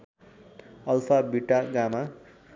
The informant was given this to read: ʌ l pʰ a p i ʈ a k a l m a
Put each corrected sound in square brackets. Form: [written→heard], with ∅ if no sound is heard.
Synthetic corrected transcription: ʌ l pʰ a [p→b] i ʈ a [k→ɡ] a [l→∅] m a